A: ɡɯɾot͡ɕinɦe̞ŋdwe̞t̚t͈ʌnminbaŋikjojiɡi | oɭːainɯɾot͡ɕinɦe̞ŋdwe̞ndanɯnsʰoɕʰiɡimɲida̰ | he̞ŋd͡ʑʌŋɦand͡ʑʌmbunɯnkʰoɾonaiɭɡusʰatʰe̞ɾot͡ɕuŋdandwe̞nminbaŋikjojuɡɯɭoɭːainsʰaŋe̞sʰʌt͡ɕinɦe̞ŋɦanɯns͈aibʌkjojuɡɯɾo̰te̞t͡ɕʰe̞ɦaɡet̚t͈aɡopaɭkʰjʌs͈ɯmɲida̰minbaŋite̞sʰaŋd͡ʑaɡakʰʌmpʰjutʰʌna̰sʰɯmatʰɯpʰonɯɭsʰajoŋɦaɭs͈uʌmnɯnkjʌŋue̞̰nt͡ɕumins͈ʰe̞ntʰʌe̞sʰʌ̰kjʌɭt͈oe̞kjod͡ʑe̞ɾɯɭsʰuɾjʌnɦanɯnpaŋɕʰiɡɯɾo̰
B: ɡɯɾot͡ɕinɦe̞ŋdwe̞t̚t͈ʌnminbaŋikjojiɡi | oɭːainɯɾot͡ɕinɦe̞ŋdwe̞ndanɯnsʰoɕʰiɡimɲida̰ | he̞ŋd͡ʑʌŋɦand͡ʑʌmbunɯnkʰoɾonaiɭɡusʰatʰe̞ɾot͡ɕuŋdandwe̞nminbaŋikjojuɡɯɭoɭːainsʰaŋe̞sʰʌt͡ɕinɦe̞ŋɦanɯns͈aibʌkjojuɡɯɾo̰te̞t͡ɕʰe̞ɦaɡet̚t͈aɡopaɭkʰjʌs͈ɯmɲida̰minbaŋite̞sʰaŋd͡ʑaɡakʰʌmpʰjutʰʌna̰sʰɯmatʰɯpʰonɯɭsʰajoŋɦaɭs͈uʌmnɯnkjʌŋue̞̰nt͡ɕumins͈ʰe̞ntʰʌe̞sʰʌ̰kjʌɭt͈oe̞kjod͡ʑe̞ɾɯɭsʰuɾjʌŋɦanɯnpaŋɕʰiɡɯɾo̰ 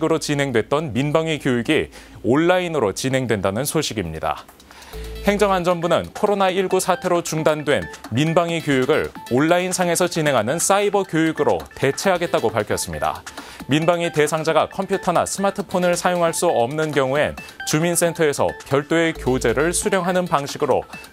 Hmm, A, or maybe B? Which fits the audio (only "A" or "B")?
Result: B